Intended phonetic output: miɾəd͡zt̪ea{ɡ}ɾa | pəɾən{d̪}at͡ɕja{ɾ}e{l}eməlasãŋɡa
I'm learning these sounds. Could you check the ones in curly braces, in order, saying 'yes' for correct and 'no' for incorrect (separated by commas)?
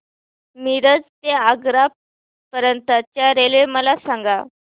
yes, no, yes, yes